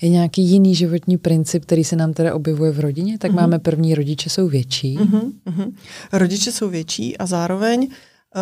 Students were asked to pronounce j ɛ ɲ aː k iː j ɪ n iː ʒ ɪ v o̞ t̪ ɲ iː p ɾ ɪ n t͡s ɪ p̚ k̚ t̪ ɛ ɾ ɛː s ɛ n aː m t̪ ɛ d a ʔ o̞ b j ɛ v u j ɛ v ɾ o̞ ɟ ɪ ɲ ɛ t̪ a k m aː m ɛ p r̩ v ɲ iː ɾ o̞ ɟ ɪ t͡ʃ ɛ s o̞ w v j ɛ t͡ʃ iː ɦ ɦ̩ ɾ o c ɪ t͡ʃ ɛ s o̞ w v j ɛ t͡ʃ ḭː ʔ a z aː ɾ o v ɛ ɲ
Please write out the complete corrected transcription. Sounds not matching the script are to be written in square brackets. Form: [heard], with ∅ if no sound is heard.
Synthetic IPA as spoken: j ɛ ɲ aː k iː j ɪ n iː ʒ ɪ v o̞ t̪ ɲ iː p ɾ ɪ n t͡s ɪ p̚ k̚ t̪ ɛ ɾ [iː] s ɛ n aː m t̪ ɛ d a ʔ o̞ b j ɛ v u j ɛ v ɾ o̞ ɟ ɪ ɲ ɛ t̪ a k m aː m ɛ p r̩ v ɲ iː ɾ o̞ ɟ ɪ t͡ʃ ɛ s o̞ w v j ɛ t͡ʃ iː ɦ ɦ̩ ɾ o [ɟ] ɪ t͡ʃ ɛ s o̞ w v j ɛ t͡ʃ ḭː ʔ a z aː ɾ o v ɛ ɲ